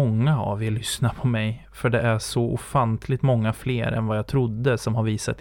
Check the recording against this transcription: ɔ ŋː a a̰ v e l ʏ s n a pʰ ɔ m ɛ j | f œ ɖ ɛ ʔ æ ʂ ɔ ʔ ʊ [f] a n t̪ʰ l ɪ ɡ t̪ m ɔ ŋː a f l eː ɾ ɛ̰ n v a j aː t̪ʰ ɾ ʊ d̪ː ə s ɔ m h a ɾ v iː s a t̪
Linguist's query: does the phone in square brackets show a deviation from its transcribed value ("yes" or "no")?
no